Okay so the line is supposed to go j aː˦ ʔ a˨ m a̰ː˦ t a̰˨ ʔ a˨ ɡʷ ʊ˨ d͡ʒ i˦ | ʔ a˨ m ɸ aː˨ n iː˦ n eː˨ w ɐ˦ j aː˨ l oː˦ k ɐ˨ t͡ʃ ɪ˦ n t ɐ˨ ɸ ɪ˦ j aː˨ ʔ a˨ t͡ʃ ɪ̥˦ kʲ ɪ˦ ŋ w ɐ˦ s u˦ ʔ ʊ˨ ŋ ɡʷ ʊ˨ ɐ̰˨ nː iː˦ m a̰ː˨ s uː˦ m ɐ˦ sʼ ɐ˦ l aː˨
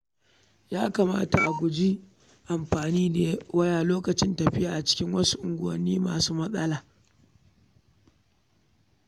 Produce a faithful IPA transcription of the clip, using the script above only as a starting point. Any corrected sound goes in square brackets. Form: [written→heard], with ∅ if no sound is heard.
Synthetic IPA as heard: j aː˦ [ʔ→k] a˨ m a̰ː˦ t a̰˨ ʔ a˨ ɡʷ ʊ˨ d͡ʒ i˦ | ʔ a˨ m ɸ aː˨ n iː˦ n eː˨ w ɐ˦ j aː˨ l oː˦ k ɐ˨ t͡ʃ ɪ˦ n t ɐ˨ ɸ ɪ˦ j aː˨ ʔ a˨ t͡ʃ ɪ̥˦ kʲ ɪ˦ ŋ w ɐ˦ s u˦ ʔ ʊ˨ ŋ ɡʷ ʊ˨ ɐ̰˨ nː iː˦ m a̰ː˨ s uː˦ m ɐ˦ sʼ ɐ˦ l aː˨